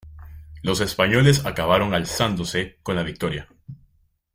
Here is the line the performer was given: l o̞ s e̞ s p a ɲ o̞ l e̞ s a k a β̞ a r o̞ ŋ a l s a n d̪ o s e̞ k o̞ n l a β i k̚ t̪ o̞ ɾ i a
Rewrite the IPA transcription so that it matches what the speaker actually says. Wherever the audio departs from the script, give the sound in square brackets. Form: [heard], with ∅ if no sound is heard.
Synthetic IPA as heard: l o̞ s e̞ s p a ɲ o̞ l e̞ s a k a β̞ a [ɾ] o̞ ŋ a l s a n d̪ o s e̞ k o̞ n l a β i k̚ t̪ o̞ ɾ [j] a